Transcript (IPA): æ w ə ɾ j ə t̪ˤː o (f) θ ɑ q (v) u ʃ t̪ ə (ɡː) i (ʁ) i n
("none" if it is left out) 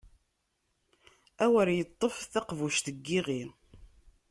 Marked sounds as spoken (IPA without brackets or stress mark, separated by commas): f, v, ɡː, ʁ